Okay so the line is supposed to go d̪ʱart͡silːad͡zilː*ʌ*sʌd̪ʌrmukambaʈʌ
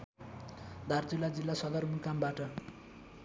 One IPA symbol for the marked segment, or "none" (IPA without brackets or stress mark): a